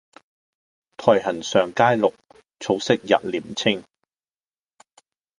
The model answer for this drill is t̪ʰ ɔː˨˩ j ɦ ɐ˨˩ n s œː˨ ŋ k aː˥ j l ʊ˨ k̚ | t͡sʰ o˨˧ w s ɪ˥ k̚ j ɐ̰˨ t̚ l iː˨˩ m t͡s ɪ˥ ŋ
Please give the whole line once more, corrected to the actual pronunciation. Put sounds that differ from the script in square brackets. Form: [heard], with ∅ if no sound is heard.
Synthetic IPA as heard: t̪ʰ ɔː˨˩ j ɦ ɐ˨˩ n s œː˨ ŋ k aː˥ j l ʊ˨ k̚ | t͡sʰ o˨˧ w s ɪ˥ k̚ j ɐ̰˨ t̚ l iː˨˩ m [t͡sʰ] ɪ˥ ŋ